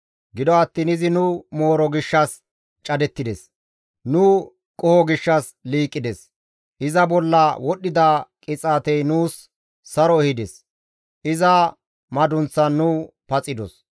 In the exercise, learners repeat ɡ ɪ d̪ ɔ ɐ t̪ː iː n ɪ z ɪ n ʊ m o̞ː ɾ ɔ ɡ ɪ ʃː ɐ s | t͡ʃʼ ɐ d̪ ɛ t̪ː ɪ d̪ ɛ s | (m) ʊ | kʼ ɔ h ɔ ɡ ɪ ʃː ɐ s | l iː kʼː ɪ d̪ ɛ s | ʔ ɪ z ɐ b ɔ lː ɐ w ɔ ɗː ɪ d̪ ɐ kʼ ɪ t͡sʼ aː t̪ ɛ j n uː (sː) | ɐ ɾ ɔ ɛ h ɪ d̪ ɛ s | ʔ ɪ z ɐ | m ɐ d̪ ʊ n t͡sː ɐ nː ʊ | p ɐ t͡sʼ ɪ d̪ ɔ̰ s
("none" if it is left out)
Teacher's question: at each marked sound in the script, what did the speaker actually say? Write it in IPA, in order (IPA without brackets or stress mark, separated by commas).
n, sː